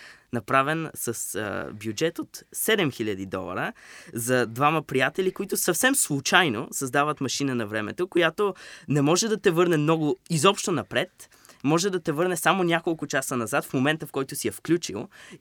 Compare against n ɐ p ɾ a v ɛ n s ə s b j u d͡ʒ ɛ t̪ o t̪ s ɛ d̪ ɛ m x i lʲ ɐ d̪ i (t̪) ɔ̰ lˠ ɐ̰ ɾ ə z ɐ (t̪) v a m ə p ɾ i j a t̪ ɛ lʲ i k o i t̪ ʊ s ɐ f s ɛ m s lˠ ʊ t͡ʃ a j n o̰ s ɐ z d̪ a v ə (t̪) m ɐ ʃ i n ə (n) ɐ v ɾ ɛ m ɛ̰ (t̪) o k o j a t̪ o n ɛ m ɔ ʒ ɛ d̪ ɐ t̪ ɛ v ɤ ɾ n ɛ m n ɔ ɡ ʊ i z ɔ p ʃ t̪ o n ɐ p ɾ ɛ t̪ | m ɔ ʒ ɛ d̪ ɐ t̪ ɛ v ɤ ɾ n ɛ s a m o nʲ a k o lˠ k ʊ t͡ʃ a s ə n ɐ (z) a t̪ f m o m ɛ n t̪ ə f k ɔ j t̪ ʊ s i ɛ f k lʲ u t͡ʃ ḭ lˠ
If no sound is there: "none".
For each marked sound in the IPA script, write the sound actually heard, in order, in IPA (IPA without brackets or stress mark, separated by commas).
d̪, d̪, t̪, n, t̪, z